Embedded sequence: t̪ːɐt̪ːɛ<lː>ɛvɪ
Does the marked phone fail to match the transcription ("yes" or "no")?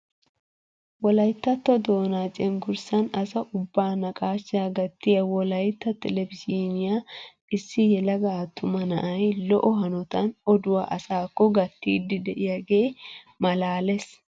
yes